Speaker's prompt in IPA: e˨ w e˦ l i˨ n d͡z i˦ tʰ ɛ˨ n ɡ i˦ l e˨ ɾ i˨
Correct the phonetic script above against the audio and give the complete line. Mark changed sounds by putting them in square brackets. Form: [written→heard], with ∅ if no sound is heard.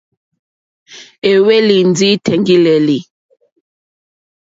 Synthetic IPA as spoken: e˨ w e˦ l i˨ n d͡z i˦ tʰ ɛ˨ [n→ŋ] ɡ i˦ l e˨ [ɾ→l] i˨